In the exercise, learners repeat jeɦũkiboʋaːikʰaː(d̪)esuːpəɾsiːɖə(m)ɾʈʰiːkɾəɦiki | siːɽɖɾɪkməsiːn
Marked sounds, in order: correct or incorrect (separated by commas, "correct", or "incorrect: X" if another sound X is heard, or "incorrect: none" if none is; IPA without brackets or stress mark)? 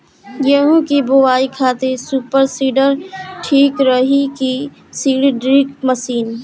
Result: incorrect: t̪, incorrect: none